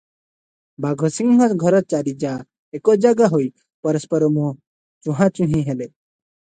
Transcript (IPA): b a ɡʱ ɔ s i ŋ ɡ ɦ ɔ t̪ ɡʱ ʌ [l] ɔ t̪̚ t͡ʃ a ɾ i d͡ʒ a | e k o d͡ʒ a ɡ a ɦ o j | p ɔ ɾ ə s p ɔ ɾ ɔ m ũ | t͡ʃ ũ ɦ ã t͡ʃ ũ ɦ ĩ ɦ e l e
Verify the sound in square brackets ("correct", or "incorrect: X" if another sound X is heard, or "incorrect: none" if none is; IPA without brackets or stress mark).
incorrect: ɾ